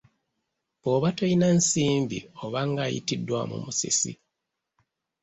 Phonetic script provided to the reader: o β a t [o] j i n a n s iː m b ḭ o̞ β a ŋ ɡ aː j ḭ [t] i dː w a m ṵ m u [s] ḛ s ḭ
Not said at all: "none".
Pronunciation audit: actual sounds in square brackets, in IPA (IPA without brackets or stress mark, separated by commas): o, t, s